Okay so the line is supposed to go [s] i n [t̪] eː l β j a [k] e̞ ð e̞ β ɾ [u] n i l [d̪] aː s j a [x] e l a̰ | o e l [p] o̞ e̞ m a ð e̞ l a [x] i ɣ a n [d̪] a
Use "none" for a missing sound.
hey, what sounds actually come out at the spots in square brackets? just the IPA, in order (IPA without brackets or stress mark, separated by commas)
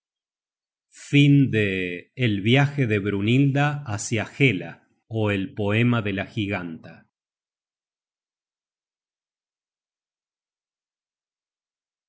f, d̪, x, u, d̪, x, p, x, t̪